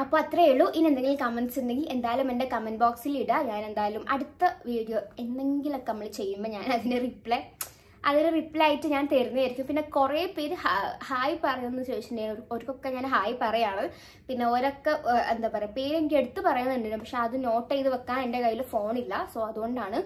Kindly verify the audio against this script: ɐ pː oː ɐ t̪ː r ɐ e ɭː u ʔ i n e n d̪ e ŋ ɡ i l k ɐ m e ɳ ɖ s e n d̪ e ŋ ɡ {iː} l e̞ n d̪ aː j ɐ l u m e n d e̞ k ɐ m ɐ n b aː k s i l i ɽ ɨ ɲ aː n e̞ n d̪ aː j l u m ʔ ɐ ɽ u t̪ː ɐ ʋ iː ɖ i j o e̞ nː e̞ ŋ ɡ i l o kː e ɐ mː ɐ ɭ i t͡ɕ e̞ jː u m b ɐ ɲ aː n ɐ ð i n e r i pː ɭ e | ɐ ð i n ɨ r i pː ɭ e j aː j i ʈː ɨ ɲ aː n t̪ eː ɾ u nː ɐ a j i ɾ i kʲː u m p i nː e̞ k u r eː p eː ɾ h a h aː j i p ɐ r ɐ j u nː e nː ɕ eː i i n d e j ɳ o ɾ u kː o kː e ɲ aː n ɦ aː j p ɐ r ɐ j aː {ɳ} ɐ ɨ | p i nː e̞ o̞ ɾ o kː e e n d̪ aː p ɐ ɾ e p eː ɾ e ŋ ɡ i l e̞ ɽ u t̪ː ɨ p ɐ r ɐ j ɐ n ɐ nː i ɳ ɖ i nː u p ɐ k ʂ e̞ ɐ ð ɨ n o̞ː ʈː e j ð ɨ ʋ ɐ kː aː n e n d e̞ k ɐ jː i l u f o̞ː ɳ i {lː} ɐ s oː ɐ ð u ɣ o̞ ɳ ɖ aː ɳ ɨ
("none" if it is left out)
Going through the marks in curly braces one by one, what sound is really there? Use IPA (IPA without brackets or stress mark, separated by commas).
i, ɳ, lː